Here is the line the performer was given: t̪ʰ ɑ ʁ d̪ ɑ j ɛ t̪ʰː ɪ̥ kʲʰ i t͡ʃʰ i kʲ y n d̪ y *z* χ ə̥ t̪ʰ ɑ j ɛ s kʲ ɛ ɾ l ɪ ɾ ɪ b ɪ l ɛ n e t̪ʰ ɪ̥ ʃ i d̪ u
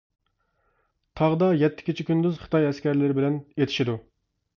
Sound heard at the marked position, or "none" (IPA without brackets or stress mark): z